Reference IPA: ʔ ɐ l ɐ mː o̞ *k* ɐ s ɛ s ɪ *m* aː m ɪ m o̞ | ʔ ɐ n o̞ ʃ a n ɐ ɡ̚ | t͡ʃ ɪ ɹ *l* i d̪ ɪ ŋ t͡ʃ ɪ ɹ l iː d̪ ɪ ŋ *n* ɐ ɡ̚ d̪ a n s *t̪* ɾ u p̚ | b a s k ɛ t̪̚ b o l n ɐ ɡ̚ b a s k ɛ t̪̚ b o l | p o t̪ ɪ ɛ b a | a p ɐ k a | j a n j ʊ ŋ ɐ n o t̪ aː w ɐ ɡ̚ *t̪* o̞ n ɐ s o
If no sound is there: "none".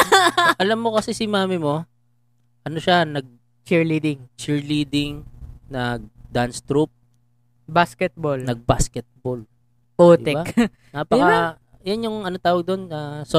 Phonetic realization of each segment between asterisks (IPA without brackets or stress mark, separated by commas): k, m, l, n, t̪, d̪